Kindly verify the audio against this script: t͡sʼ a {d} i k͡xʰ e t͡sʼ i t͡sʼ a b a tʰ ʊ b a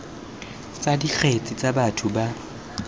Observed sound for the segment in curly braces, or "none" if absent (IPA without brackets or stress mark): d